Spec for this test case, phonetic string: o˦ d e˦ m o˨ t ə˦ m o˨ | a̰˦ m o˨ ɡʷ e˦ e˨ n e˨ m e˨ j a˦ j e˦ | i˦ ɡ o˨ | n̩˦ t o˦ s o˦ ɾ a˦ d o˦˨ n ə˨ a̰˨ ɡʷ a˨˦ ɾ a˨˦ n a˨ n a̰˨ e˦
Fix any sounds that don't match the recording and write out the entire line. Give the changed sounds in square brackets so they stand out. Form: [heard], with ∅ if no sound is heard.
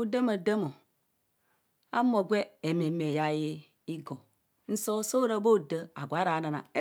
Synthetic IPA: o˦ d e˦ m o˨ [d] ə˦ m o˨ | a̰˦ m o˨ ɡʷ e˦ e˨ [m] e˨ m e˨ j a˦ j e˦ | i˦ ɡ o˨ | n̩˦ [s] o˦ s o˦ ɾ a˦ [b] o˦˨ [d] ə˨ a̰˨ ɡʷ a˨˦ ɾ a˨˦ n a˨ n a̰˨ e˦